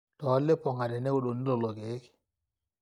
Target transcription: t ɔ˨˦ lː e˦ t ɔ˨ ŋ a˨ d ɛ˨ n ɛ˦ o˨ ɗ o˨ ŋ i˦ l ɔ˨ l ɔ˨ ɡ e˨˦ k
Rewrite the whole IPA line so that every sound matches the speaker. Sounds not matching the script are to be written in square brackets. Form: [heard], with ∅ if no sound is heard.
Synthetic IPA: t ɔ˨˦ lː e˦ [p] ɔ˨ ŋ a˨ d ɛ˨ n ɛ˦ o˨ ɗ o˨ [n] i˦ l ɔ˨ l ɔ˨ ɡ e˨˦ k